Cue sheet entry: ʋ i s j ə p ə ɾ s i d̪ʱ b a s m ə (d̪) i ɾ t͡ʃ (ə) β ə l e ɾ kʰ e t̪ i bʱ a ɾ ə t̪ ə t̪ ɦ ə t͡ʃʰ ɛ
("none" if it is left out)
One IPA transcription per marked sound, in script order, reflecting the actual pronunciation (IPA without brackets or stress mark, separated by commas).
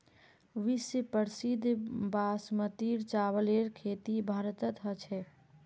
t̪, a